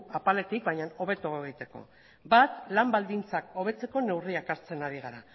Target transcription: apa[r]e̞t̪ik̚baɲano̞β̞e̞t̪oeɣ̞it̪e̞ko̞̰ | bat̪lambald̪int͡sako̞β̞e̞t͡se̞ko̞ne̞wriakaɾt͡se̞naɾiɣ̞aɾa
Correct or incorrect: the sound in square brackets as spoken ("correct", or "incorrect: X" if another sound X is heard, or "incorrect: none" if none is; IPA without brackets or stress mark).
incorrect: l